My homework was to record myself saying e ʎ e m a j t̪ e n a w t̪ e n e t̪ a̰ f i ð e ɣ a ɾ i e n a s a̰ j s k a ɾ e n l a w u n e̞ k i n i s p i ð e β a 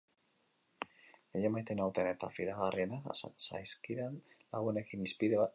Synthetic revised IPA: e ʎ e m a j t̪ e n a w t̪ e n e t̪ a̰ f i ð a ɣ a r i e n a s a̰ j s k i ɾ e n l a ɣ u n e̞ k i n i s p i ð e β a